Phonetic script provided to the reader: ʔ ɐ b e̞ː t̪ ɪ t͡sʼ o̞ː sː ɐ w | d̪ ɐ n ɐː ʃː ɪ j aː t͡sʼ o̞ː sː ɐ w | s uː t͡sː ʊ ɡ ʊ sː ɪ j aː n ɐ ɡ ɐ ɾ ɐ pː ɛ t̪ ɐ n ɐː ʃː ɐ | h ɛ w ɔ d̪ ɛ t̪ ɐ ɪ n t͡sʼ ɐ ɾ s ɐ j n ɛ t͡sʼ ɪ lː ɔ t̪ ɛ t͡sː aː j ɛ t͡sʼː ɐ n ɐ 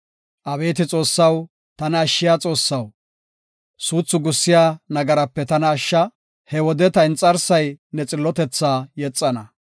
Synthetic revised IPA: ʔ ɐ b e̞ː t̪ ɪ t͡sʼ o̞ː sː ɐ w | t̪ ɐ n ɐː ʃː ɪ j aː t͡sʼ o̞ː sː ɐ w | s uː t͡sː ʊ ɡ ʊ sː ɪ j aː n ɐ ɡ ɐ ɾ ɐ pː ɛ t̪ ɐ n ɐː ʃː ɐ | h ɛ w ɔ d̪ ɛ t̪ ɐ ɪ n t͡sʼ ɐ ɾ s ɐ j n ɛ t͡sʼ ɪ lː ɔ t̪ ɛ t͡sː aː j ɛ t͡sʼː ɐ n ɐ